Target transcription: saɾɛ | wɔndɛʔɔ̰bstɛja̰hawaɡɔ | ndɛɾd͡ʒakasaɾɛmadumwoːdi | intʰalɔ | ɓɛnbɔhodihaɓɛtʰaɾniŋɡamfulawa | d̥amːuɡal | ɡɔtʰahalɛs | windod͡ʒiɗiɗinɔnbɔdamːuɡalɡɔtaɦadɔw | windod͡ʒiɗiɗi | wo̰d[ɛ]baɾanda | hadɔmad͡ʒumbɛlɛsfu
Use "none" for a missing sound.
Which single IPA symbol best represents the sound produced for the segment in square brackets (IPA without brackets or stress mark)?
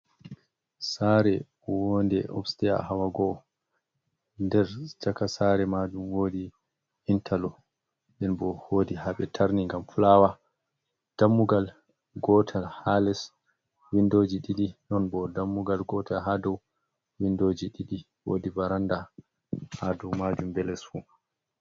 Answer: i